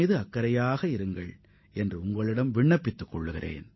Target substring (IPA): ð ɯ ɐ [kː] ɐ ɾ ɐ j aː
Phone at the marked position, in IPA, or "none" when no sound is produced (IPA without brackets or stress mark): kː